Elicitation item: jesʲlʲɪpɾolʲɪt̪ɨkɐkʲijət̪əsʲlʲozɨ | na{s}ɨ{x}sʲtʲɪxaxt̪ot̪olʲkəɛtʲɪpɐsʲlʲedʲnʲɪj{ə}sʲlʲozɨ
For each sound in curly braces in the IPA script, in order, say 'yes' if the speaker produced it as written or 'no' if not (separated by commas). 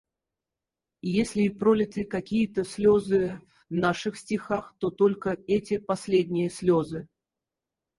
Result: no, yes, yes